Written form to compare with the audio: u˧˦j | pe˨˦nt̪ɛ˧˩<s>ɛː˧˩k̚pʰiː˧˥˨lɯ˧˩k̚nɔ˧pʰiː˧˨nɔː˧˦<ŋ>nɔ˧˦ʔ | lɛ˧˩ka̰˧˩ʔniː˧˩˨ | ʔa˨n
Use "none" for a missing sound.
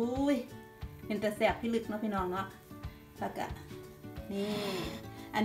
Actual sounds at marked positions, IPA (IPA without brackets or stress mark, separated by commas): s, ŋ